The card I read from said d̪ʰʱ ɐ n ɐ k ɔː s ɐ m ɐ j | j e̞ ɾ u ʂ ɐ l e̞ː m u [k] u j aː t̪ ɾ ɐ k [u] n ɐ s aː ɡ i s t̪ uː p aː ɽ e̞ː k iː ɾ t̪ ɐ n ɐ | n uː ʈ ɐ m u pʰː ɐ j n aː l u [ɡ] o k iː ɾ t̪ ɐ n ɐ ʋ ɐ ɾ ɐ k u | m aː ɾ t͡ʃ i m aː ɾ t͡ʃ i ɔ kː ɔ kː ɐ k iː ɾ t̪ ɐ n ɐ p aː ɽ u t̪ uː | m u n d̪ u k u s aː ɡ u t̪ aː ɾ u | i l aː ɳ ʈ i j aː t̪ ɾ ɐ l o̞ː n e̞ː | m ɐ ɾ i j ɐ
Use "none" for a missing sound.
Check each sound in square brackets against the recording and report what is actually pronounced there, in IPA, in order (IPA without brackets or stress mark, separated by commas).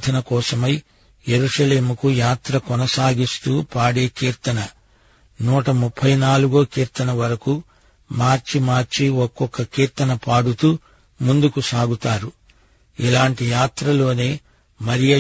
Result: k, ɔ, ɡ